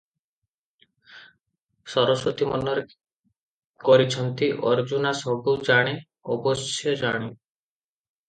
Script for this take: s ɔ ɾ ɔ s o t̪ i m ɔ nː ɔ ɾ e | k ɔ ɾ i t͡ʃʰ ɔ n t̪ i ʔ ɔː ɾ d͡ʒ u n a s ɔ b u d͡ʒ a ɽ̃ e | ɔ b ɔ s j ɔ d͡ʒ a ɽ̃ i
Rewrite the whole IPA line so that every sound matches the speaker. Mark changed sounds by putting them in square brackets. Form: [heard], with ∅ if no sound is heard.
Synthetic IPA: s ɔ ɾ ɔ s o t̪ i m ɔ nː ɔ ɾ e | k ɔ ɾ i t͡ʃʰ ɔ n t̪ i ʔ [ɔ] ɾ d͡ʒ u n a s ɔ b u d͡ʒ a ɽ̃ e | ɔ b ɔ s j ɔ d͡ʒ a ɽ̃ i